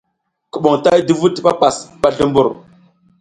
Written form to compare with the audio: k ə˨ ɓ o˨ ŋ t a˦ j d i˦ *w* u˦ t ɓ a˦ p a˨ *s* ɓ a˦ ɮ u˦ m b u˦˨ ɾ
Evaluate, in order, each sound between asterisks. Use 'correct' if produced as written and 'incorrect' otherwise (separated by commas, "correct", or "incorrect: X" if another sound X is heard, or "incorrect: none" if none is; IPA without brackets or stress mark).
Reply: incorrect: v, correct